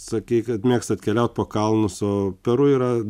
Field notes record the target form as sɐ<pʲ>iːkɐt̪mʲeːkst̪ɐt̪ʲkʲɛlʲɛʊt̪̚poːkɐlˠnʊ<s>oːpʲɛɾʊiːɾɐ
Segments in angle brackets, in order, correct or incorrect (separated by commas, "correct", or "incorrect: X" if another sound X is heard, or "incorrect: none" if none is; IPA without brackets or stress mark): incorrect: kʲ, correct